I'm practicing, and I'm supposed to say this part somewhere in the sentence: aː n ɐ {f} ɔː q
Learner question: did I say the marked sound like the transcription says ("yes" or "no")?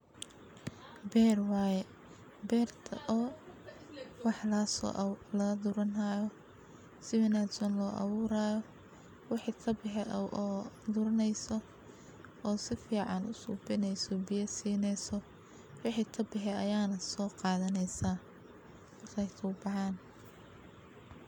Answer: no